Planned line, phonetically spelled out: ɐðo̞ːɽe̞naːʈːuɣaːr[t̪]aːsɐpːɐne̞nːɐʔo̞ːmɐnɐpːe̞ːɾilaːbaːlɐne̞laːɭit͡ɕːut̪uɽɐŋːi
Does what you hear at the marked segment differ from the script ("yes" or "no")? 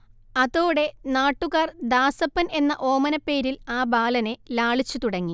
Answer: yes